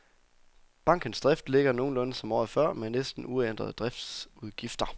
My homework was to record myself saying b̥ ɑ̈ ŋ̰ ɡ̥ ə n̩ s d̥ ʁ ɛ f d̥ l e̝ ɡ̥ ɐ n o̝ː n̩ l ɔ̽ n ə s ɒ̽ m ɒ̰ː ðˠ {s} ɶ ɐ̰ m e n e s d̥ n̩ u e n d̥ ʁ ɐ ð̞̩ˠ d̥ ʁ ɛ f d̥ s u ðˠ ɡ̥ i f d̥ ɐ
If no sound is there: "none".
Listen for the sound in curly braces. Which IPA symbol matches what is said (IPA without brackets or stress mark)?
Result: f